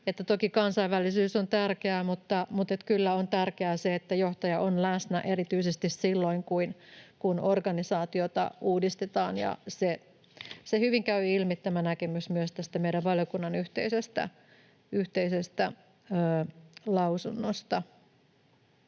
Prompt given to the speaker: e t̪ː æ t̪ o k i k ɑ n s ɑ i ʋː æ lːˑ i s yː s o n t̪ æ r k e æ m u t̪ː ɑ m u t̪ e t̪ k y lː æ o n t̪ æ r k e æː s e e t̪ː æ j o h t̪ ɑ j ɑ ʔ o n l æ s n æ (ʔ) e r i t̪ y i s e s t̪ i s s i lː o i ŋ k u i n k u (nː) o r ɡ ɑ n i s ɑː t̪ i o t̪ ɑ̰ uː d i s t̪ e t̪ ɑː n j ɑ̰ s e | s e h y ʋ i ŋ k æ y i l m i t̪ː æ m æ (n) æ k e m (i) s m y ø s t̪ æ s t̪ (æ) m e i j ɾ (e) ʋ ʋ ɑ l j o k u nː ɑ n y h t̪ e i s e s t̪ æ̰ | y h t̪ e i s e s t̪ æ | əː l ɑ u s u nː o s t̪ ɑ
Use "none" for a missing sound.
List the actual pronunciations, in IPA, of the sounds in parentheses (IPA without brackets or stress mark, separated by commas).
ʔ, n, n, y, æ, æ